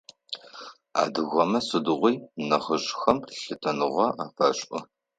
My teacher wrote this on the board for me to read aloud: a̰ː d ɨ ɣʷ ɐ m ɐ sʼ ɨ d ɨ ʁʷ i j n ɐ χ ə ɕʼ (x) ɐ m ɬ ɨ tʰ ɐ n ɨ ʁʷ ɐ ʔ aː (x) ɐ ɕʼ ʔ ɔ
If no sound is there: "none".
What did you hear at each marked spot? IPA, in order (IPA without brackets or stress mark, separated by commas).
x, f